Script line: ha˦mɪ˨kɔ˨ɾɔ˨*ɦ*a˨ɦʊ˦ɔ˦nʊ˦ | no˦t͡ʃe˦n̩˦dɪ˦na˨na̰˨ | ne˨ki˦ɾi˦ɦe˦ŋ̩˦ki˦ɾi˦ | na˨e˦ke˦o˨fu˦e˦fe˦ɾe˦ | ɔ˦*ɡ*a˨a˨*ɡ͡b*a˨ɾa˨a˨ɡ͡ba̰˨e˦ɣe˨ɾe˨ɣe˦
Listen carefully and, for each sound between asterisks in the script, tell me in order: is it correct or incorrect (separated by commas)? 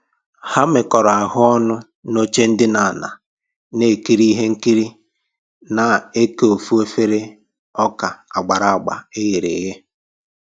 incorrect, incorrect, correct